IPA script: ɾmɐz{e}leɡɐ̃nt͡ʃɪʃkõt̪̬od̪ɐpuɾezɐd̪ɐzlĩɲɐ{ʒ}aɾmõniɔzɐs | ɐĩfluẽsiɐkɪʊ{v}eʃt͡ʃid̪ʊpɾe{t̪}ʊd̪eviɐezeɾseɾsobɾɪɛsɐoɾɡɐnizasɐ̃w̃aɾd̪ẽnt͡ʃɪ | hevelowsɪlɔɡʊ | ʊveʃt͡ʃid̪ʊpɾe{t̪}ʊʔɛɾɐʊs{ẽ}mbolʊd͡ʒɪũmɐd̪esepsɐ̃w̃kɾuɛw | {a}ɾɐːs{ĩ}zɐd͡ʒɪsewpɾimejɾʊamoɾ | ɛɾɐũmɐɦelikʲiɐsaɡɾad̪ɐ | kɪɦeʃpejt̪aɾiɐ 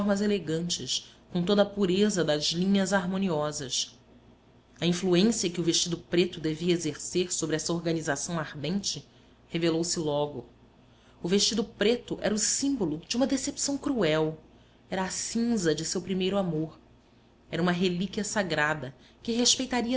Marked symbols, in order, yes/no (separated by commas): yes, no, yes, yes, yes, no, no, yes